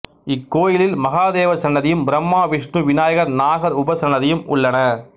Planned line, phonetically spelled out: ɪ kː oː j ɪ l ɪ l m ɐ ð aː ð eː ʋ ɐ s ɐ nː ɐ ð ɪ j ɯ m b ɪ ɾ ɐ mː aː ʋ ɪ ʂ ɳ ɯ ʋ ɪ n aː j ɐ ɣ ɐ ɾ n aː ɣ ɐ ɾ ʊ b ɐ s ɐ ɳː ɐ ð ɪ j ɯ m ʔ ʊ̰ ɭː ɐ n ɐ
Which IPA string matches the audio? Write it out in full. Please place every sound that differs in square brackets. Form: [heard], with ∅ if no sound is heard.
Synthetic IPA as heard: ɪ kː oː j ɪ l ɪ l m ɐ [ɣ] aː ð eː ʋ ɐ s ɐ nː ɐ ð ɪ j ɯ m b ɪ ɾ ɐ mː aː ʋ ɪ ʂ ɳ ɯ ʋ ɪ n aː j ɐ ɣ ɐ ɾ n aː ɣ ɐ ɾ ʊ b ɐ s ɐ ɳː ɐ ð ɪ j ɯ m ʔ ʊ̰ ɭː ɐ n ɐ